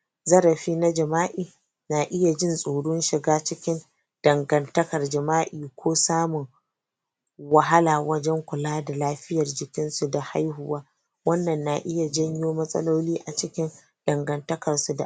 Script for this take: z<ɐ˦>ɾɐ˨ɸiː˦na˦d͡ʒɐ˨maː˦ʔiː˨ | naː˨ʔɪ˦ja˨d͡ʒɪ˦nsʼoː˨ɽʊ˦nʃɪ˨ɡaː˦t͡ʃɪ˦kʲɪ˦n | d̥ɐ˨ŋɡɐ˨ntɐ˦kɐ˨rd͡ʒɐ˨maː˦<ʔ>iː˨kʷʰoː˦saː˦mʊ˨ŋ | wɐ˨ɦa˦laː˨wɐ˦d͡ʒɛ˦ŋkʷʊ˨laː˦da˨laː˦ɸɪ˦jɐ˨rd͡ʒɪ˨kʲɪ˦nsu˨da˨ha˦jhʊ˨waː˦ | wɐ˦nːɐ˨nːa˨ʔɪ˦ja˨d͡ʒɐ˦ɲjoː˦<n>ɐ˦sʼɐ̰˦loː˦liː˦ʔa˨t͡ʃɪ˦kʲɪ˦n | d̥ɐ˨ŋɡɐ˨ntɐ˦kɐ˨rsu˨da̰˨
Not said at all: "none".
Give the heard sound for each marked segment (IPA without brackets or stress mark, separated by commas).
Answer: ɐ˦, ʔ, m